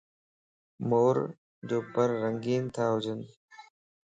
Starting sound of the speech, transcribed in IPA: m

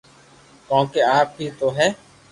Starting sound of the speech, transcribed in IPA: k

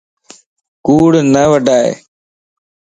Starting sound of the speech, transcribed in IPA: k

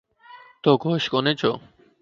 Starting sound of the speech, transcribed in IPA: t̪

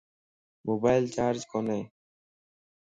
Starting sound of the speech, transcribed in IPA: m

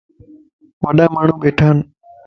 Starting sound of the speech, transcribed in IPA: ʋ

